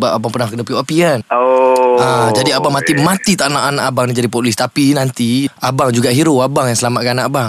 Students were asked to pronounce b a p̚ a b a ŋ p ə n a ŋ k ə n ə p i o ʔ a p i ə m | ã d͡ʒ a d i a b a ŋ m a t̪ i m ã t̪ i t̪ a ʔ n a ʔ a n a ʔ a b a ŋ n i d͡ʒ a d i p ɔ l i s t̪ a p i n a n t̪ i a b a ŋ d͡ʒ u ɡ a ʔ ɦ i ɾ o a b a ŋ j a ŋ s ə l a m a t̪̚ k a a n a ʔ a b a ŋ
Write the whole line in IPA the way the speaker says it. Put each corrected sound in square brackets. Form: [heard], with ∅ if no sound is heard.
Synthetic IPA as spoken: b a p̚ a b a ŋ p ə n a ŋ k ə n ə p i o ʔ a p i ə [n] | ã d͡ʒ a d i a b a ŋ m a t̪ i m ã t̪ i t̪ a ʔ n a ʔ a n a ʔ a b a ŋ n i d͡ʒ a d i p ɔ l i s t̪ a p i n a n t̪ i a b a ŋ d͡ʒ u ɡ a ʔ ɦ i ɾ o a b a ŋ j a ŋ s ə l a m a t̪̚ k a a n a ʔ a b a ŋ